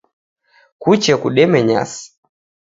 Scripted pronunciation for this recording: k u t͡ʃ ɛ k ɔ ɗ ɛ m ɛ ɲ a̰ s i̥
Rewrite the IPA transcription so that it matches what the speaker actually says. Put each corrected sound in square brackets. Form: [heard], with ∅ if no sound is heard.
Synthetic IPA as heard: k u t͡ʃ ɛ k [u] ɗ ɛ m ɛ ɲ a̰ s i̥